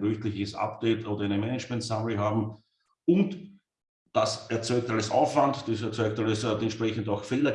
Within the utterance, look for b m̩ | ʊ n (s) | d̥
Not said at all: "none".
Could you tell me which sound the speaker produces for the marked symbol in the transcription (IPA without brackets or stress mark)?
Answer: t